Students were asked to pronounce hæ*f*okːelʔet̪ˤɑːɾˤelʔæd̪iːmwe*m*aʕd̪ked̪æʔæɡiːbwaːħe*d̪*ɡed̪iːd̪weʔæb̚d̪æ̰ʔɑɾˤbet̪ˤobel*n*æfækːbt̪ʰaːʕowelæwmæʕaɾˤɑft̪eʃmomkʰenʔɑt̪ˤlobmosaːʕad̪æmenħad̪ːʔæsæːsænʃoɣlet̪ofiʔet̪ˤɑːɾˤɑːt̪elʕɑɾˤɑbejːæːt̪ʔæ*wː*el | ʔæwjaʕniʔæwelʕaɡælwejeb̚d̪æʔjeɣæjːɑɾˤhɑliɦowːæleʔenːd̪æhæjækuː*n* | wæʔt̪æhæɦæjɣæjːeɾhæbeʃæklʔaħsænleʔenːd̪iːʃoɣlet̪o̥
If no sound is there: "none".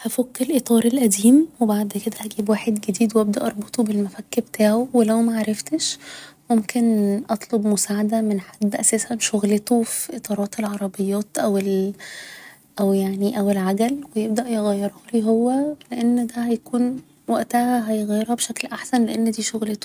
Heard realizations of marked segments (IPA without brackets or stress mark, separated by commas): f, b, d̪, m, w, n